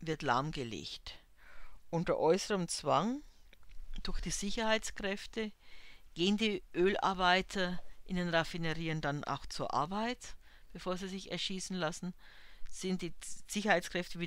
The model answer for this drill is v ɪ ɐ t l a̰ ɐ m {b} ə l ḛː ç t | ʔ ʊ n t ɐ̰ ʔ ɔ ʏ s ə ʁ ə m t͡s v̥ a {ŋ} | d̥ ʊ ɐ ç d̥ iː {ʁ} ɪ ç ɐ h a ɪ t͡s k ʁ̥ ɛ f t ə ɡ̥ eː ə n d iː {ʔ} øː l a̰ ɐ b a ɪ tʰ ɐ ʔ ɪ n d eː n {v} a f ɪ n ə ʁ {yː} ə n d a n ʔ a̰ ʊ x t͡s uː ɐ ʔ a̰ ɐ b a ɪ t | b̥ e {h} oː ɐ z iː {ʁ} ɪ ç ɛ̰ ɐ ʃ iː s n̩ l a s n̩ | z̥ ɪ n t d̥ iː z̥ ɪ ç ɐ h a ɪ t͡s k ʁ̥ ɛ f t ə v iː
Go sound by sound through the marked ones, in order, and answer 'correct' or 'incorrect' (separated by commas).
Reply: incorrect, correct, incorrect, correct, incorrect, incorrect, incorrect, incorrect